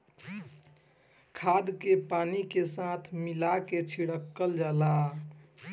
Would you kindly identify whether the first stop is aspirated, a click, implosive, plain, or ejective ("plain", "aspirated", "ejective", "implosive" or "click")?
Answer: aspirated